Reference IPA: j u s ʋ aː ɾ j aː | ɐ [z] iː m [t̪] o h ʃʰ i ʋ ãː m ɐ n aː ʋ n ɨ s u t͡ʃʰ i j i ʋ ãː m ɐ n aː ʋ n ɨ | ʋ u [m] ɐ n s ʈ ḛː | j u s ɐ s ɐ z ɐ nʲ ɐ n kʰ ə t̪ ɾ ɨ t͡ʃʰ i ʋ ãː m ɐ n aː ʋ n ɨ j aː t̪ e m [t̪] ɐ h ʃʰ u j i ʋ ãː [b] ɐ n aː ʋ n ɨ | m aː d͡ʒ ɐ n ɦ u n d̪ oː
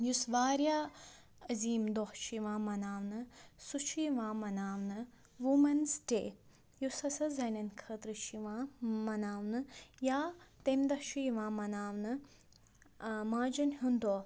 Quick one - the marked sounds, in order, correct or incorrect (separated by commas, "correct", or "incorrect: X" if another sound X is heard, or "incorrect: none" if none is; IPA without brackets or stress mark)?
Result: correct, incorrect: d̪, correct, incorrect: d̪, incorrect: m